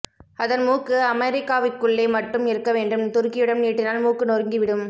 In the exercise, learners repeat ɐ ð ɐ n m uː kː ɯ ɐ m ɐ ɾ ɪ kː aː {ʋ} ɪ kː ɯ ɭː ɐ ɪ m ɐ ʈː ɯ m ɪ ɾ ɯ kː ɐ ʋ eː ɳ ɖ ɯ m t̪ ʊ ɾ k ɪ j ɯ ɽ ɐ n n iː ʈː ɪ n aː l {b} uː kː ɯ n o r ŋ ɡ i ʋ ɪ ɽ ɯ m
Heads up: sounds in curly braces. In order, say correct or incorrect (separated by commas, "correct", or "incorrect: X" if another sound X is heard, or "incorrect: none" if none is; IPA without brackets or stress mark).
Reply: correct, incorrect: m